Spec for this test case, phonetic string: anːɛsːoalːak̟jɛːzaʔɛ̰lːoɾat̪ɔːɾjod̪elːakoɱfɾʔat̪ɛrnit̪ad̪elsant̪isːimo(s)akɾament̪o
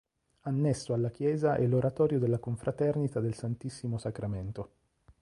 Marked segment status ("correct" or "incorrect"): correct